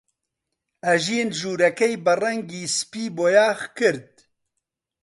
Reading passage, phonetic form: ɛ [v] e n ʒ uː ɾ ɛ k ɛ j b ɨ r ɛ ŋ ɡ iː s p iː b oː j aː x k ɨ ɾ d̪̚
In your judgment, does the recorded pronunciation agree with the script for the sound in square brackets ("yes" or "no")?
no